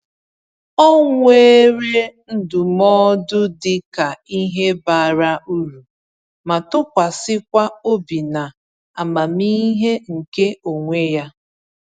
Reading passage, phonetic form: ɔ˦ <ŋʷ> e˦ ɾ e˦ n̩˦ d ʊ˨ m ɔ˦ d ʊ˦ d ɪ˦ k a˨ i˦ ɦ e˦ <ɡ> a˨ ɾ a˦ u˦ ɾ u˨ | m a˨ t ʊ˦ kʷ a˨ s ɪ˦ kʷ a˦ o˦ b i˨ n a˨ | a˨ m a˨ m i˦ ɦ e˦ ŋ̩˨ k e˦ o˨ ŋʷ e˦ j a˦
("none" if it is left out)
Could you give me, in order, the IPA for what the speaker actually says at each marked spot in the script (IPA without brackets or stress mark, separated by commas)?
ŋʷ, b